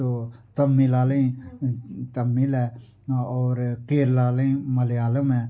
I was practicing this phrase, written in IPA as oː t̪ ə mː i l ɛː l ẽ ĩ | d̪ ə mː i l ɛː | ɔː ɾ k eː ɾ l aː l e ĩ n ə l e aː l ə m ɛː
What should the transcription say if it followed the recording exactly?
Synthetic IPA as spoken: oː t̪ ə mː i l aː l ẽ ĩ | t̪ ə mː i l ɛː | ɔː ɾ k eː ɾ l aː l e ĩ m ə l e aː l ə m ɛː